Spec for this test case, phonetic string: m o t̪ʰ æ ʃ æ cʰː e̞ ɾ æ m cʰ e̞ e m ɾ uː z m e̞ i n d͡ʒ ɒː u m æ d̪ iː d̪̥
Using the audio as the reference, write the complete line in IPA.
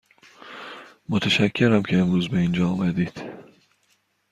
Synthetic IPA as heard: m o t̪ʰ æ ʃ æ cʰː e̞ ɾ æ m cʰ e̞ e m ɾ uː z b e̞ i n d͡ʒ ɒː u m æ d̪ iː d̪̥